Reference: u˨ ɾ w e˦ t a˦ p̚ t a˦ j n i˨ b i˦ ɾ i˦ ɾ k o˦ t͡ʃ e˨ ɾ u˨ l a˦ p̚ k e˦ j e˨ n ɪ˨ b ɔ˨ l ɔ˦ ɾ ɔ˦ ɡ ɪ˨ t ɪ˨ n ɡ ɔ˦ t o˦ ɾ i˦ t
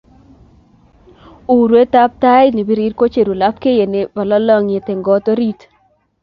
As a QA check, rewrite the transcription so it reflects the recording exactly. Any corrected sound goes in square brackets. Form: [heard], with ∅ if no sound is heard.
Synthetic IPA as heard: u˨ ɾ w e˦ t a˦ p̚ t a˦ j n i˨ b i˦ ɾ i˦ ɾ k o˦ t͡ʃ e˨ ɾ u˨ l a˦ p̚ k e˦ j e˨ n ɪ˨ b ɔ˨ l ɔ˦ [l] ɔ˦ [ŋ] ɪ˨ t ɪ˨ [ŋ] ɡ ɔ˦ t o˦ ɾ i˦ t